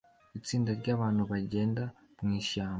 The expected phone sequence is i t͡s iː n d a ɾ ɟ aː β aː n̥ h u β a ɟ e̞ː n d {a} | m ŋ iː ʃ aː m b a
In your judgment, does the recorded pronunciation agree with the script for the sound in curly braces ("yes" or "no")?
yes